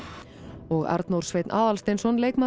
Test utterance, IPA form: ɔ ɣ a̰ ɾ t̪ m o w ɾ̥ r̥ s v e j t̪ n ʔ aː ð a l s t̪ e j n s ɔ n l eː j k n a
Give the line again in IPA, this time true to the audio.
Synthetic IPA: ɔ ɣ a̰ ɾ t̪ n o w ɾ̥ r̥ s v e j t̪ n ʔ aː ð a l s t̪ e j n s ɔ n l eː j k m a